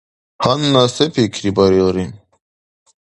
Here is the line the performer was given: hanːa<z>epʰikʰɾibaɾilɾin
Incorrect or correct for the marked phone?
incorrect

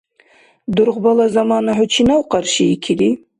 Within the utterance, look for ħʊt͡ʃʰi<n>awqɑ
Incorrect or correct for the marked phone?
correct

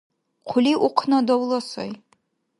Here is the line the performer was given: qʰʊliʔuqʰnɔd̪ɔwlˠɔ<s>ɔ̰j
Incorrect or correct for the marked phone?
correct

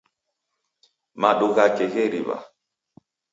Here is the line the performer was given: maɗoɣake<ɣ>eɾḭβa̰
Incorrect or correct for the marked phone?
correct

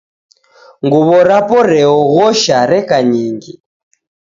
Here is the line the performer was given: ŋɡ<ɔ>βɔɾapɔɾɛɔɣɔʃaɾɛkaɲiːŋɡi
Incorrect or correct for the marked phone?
incorrect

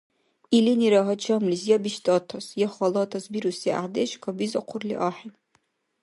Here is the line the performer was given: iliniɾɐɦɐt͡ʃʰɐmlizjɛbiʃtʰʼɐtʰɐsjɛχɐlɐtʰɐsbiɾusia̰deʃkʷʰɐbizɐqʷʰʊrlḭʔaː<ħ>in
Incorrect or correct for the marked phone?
correct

